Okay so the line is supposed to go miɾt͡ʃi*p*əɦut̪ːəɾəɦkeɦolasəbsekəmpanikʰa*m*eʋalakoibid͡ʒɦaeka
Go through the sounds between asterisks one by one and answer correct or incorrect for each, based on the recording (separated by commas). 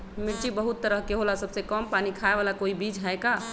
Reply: incorrect, incorrect